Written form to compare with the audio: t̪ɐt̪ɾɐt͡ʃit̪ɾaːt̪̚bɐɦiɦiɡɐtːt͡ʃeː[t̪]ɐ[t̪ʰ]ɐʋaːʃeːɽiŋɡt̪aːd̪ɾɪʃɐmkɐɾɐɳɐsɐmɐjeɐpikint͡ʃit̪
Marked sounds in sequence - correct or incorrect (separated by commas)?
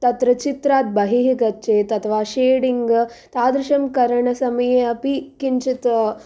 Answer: correct, correct